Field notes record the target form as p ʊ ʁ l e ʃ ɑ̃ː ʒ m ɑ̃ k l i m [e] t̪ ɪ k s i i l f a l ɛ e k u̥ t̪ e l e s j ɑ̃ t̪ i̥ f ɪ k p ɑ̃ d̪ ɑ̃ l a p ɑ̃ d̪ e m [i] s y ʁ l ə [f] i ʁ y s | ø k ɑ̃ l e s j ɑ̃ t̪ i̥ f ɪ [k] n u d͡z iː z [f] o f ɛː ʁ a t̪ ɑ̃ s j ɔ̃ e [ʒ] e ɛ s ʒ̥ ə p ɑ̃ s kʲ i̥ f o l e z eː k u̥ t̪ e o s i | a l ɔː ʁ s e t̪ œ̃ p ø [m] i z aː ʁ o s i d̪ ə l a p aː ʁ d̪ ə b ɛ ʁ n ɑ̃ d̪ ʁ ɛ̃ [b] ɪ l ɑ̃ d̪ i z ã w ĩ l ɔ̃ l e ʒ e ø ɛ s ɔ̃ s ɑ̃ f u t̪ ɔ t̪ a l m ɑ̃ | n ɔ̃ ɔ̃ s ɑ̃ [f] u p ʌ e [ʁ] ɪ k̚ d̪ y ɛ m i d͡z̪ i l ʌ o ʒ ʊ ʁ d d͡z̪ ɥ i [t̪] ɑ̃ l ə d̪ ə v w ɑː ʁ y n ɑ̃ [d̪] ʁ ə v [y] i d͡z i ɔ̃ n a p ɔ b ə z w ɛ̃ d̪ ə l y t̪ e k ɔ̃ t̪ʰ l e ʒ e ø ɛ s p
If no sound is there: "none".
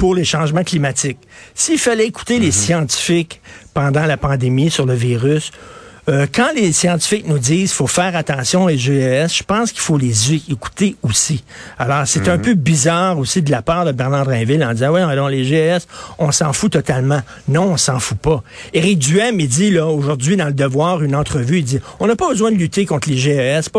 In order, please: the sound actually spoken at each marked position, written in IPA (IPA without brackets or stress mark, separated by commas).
a, i, v, k, f, ʒ, b, v, f, ʁ, d̪, t̪, y